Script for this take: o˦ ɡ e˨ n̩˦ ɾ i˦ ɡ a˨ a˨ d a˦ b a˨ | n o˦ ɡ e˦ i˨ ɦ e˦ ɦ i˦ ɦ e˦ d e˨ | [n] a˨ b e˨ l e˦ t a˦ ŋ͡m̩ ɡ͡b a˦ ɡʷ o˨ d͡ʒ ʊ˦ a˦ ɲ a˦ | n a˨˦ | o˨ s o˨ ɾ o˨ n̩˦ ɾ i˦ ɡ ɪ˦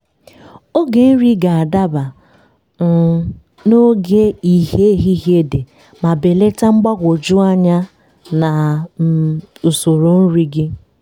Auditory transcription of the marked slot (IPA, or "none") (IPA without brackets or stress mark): m